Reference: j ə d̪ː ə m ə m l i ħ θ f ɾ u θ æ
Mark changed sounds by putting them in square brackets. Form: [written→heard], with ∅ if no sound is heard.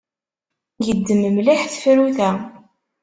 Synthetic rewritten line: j ə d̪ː ə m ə m l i ħ θ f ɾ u θ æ